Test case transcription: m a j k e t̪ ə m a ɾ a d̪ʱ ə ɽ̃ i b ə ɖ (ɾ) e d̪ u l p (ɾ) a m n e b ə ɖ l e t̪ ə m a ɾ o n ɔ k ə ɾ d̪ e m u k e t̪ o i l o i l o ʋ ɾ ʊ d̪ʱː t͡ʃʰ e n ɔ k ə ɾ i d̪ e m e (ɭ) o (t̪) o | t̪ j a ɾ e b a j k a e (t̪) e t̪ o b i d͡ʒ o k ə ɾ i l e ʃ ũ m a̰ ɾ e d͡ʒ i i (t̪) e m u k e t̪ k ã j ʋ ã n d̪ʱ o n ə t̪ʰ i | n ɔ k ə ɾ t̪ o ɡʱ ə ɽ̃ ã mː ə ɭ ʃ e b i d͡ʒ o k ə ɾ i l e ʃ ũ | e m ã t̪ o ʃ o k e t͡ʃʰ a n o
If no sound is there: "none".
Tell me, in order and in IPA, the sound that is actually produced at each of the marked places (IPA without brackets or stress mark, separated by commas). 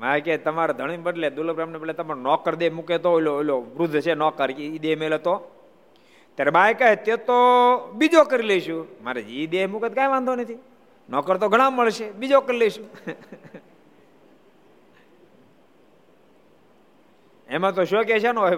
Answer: l, ɾ, l, t̪, t̪, d̪